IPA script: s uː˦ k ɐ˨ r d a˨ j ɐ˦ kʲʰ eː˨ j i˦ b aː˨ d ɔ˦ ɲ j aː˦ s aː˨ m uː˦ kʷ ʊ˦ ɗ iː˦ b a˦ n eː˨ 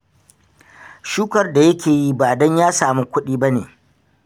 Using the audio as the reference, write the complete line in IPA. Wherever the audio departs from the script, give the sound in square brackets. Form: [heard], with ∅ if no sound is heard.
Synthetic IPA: [ʃ] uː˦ k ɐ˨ r d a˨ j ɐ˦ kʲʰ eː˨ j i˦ b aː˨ d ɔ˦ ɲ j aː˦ s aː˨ m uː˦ kʷ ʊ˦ ɗ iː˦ b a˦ n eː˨